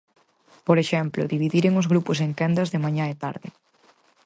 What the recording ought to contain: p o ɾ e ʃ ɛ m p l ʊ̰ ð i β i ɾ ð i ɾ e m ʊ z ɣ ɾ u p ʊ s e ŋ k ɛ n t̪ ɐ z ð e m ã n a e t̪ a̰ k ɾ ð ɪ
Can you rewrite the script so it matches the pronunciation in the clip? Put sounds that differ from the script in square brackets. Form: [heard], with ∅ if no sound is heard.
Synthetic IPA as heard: p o ɾ e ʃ ɛ m p l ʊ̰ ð i β i [∅] ð i ɾ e [ŋ] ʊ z ɣ ɾ u p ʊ s e ŋ k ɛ n [d̪] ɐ z ð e m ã [ɲ] a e t̪ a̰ [∅] ɾ ð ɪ